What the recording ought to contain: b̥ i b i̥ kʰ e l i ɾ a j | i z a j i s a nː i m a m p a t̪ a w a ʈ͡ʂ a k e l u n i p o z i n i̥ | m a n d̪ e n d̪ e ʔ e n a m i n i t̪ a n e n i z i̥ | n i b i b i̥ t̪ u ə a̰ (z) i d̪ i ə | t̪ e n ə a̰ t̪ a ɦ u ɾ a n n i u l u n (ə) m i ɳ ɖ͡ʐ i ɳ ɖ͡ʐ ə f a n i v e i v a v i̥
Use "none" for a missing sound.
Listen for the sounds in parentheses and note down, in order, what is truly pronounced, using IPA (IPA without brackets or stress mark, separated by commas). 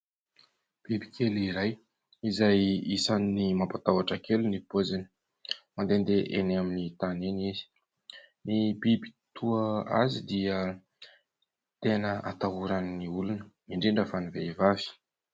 z, ə